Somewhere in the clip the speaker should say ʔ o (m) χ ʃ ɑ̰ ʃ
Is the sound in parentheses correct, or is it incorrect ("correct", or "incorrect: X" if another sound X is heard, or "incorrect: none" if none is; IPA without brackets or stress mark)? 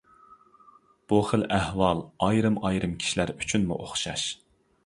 incorrect: none